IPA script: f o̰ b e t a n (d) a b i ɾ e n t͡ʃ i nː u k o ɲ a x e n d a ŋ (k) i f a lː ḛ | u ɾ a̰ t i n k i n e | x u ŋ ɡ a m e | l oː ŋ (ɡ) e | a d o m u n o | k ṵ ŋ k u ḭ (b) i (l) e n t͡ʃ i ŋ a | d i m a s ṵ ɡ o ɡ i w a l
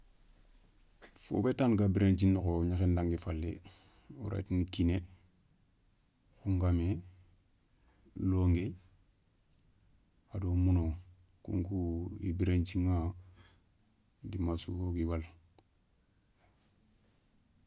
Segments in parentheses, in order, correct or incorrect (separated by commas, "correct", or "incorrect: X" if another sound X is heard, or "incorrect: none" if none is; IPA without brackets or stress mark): incorrect: ɡ, incorrect: ɡ, correct, correct, incorrect: ɾ